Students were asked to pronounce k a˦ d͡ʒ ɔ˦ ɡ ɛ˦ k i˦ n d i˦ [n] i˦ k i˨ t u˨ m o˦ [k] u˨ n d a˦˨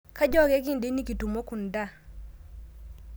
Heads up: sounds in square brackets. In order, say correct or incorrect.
correct, correct

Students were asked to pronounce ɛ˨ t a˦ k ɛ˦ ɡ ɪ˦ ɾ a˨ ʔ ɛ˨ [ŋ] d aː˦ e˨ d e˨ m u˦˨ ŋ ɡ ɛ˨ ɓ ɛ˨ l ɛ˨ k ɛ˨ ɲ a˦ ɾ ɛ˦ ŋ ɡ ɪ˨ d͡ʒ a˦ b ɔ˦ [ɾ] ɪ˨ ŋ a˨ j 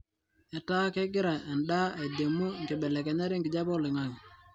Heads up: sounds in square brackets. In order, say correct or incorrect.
incorrect, incorrect

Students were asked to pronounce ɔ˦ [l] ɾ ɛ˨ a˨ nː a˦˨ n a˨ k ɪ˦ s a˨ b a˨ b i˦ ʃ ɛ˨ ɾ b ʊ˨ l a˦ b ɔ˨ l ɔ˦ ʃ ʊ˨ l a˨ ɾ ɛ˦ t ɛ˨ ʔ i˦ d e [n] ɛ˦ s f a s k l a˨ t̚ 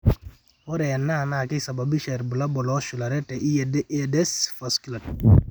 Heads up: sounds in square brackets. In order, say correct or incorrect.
incorrect, incorrect

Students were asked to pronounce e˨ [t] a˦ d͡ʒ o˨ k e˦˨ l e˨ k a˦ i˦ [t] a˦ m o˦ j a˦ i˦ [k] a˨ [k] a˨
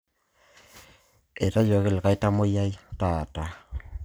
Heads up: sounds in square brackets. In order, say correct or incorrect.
correct, correct, incorrect, incorrect

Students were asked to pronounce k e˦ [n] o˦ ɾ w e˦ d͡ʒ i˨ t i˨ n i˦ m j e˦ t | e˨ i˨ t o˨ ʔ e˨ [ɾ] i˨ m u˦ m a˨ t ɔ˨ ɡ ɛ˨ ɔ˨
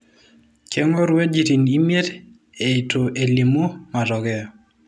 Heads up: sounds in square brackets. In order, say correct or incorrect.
incorrect, incorrect

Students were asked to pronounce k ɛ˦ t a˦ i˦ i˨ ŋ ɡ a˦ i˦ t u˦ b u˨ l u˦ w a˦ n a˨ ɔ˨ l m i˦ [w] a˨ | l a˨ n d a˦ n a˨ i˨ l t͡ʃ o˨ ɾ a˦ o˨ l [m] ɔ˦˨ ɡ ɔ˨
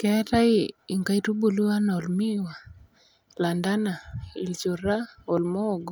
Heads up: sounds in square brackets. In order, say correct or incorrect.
correct, correct

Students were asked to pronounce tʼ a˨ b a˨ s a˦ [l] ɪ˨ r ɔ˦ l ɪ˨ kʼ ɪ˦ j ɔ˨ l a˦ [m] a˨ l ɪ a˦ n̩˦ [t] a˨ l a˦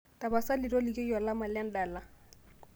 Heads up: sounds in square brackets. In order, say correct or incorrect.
correct, correct, incorrect

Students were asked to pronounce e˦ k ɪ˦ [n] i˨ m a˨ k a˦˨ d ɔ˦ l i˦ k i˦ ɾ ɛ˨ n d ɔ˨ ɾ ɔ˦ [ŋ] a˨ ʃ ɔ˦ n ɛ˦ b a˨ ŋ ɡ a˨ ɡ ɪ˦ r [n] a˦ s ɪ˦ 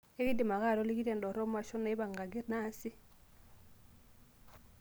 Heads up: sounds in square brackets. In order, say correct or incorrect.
incorrect, incorrect, correct

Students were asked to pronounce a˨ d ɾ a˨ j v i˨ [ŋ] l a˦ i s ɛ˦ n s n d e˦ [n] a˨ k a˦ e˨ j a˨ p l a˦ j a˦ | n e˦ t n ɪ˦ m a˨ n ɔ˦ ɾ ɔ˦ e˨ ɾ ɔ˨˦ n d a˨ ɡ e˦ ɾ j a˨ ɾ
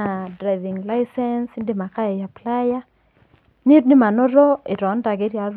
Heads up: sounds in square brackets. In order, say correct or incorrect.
correct, incorrect

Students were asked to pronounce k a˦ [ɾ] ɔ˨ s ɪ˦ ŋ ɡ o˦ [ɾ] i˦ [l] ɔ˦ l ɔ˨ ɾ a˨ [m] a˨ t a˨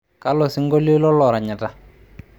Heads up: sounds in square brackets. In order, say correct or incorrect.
incorrect, incorrect, correct, incorrect

